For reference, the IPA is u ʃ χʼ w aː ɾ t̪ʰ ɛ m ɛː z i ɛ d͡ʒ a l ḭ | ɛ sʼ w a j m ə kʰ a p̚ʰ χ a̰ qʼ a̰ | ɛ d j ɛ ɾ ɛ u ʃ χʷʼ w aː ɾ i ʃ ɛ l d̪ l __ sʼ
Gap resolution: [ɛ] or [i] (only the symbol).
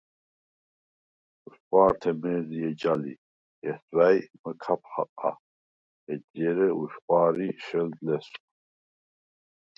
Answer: ɛ